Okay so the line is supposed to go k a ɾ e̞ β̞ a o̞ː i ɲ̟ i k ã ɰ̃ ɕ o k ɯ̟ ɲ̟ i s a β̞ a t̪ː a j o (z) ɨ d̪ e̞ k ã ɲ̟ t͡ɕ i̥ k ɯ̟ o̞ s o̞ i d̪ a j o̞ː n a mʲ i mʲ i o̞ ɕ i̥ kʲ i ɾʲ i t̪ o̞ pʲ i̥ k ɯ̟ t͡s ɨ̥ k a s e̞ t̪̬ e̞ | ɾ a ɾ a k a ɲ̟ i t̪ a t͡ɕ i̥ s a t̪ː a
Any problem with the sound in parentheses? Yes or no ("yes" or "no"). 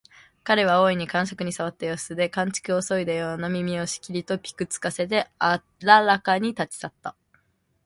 yes